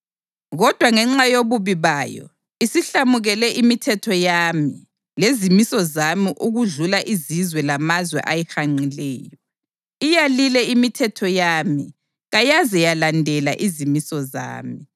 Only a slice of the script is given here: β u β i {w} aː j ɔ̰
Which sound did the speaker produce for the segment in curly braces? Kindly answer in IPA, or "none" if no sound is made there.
β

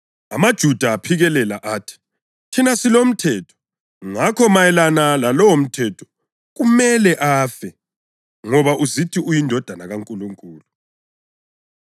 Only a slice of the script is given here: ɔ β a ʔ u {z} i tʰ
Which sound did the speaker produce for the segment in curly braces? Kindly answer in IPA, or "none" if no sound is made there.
z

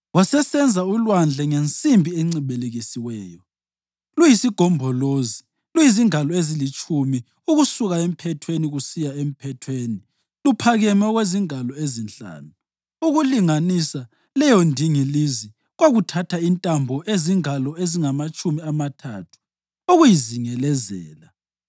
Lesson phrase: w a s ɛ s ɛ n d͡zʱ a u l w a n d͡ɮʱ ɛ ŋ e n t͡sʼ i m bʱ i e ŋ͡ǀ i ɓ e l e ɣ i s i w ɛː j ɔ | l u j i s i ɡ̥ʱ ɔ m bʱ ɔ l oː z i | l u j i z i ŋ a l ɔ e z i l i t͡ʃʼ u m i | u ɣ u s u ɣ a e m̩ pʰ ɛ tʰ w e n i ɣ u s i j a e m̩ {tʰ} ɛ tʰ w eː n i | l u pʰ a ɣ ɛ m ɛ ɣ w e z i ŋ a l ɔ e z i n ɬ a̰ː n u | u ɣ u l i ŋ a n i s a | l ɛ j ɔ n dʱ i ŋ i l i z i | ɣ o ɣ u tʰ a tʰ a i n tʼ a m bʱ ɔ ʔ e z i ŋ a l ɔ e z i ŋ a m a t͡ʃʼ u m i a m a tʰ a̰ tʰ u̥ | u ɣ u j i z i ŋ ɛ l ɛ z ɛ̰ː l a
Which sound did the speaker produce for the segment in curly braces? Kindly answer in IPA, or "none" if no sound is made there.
pʰ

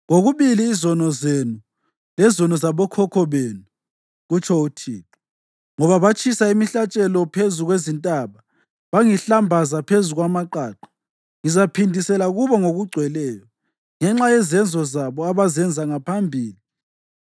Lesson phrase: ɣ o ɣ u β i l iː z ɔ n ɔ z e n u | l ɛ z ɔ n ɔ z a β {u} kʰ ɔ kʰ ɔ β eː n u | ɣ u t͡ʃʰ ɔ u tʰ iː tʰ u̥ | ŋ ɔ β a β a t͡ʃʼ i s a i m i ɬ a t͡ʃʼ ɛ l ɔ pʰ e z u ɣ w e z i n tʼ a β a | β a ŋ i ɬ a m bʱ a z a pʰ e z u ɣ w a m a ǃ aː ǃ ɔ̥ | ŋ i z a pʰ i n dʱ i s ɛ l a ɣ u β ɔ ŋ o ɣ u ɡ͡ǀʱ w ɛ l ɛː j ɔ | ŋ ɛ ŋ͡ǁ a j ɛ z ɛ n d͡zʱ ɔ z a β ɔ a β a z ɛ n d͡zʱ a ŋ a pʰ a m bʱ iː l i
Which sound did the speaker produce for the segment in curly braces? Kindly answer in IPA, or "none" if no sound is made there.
ɔ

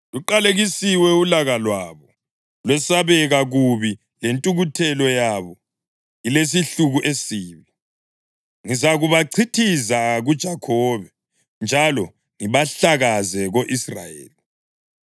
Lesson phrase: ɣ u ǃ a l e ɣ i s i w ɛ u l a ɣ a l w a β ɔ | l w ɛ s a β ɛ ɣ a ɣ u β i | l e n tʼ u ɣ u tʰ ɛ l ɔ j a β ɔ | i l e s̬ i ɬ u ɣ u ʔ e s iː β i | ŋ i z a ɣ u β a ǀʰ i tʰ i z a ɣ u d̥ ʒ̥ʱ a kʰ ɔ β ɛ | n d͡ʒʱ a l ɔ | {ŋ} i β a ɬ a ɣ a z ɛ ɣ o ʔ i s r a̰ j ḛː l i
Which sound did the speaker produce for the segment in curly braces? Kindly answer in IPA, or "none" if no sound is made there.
ŋ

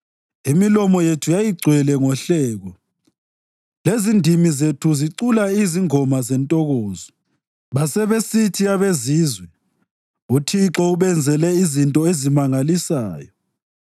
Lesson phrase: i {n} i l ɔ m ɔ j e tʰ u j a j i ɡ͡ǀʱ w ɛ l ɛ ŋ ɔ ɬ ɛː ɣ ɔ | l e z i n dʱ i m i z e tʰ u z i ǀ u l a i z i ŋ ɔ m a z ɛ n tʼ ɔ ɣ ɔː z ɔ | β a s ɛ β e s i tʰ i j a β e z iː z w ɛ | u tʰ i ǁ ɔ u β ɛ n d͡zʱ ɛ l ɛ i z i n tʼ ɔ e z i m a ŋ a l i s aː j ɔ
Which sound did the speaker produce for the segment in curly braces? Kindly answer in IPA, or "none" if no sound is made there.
m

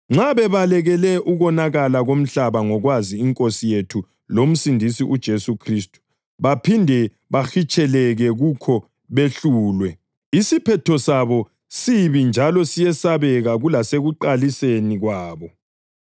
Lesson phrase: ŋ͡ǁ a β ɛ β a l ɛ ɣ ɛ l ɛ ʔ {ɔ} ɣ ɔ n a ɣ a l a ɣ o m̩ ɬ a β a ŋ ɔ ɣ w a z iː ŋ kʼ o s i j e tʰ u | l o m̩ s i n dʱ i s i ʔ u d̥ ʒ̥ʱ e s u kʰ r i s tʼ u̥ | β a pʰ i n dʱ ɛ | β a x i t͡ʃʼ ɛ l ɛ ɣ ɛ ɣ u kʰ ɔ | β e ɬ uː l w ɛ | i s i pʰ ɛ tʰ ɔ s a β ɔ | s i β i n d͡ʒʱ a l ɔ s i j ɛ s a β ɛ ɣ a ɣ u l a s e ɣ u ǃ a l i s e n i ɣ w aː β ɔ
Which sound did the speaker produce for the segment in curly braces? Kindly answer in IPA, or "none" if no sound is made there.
u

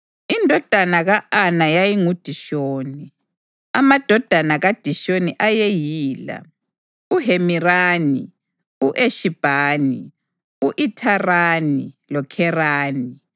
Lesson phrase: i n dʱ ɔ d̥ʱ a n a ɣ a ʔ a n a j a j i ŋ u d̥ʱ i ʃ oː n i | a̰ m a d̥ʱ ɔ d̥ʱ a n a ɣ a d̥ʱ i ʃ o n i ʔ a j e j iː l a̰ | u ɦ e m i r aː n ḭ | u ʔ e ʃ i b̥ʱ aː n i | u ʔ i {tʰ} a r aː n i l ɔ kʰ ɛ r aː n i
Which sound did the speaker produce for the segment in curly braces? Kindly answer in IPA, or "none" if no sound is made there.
tʰ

